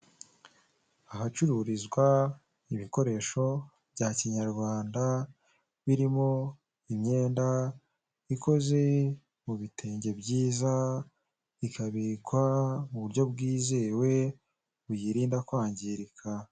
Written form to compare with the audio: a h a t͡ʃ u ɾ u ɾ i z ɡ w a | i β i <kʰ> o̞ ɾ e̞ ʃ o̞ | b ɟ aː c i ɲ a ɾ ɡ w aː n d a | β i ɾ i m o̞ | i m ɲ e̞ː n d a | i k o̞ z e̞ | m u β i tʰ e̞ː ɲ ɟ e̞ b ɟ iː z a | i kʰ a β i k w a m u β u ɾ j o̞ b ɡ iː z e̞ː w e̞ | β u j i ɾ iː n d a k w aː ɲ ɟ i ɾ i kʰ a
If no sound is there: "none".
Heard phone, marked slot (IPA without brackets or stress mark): k